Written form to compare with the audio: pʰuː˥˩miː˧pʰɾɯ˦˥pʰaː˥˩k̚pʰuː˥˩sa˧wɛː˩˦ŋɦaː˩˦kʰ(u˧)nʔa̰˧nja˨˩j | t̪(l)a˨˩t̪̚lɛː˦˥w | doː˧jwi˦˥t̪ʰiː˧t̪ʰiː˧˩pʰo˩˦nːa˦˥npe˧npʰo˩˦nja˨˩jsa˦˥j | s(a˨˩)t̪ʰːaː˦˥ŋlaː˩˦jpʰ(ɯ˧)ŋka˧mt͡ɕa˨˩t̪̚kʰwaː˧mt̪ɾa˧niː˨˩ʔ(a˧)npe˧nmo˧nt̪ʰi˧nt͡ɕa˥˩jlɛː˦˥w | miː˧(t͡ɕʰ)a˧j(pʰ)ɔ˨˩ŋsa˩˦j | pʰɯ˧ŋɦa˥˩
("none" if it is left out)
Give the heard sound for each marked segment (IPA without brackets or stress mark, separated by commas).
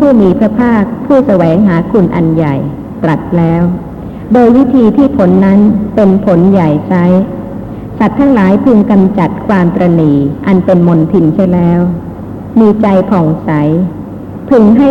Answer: u˧, ɾ, a˨˩, ɯ˧, a˧, t͡ɕ, pʰ